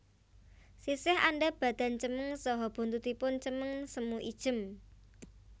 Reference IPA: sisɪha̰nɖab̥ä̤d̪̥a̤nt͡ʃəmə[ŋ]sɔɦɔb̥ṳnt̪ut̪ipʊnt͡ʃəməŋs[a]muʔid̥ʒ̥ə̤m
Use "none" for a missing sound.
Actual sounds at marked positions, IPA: ŋ, ə

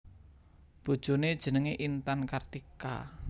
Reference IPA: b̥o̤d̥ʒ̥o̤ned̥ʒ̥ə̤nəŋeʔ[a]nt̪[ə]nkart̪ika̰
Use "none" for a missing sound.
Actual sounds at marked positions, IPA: i, a

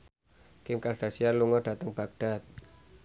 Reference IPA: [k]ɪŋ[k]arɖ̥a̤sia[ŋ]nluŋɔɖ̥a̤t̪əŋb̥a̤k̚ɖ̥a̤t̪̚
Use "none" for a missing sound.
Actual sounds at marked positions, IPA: k, k, none

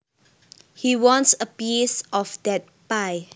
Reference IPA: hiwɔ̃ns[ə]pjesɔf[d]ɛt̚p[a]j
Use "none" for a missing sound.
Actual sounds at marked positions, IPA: ə, d, a

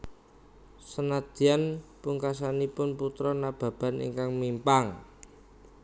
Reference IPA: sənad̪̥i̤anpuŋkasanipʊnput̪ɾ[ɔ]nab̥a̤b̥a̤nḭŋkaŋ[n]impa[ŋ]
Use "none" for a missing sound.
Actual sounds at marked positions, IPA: ɔ, m, ŋ

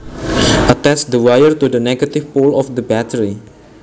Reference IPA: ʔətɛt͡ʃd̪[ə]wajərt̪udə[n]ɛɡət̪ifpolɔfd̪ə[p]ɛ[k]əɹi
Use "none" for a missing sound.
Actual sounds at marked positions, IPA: ə, n, b, t

